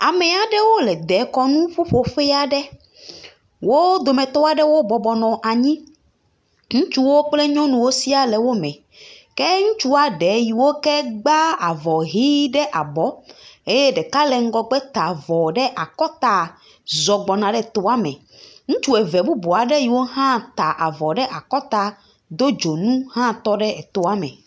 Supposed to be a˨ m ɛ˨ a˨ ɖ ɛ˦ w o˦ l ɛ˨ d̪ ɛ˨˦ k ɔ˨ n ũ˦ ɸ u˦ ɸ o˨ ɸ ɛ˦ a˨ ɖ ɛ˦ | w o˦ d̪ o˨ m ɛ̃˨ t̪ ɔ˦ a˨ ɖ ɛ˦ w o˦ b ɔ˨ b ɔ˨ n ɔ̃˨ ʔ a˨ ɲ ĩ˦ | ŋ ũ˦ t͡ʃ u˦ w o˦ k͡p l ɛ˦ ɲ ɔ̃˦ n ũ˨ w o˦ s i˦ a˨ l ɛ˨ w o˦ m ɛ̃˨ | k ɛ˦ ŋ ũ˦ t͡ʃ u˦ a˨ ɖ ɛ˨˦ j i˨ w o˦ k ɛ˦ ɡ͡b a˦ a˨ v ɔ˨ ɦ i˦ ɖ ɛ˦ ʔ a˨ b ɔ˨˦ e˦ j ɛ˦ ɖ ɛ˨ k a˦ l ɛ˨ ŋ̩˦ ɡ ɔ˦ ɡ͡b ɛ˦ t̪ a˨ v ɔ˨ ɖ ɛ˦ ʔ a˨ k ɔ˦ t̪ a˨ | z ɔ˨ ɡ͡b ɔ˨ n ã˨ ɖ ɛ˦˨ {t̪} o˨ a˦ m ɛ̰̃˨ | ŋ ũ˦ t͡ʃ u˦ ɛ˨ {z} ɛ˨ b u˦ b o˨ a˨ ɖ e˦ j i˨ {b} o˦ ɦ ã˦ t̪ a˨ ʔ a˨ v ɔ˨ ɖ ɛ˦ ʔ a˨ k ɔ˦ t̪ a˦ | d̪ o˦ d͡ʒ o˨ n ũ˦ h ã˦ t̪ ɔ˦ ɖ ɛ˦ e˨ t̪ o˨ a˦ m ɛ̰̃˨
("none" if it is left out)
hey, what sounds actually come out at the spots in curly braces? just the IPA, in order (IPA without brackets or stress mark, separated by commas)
t̪, v, w